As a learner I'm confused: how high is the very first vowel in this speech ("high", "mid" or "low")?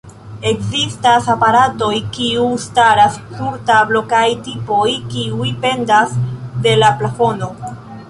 mid